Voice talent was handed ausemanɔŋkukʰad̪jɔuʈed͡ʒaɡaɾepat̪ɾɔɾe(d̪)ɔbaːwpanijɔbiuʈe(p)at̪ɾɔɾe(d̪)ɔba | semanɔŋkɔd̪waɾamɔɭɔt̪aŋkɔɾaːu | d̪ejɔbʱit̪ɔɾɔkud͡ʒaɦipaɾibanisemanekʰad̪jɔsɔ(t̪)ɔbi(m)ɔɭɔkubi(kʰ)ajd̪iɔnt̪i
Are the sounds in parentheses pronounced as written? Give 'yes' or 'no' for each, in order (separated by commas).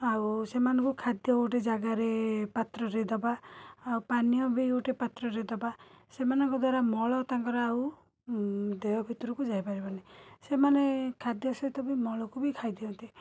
yes, yes, yes, yes, yes, yes